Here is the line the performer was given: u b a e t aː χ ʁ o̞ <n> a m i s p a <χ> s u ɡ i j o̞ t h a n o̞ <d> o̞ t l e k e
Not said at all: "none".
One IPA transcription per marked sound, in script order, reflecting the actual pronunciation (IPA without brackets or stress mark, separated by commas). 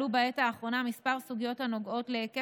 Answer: n, ʁ, ɡ